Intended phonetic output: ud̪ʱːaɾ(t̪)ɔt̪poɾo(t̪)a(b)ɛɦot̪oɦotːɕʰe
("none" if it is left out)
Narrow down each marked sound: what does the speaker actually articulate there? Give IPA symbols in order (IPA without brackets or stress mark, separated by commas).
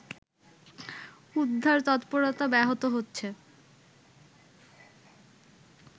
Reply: t̪, t̪, b